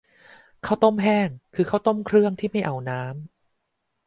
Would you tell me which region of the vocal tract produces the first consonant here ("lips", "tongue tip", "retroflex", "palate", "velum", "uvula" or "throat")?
velum